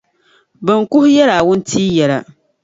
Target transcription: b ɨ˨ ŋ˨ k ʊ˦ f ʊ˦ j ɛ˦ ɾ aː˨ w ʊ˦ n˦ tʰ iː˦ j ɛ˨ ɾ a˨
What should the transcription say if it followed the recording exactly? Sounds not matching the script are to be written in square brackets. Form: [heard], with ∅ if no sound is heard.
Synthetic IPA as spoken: b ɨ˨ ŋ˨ k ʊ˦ [h] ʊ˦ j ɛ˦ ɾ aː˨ w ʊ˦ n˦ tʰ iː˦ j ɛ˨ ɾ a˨